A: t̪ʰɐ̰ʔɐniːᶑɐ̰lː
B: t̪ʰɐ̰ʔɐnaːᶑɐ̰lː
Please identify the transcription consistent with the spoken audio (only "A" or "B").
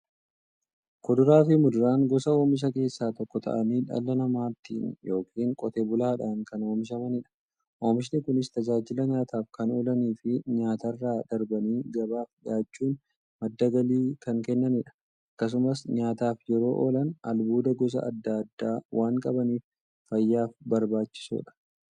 A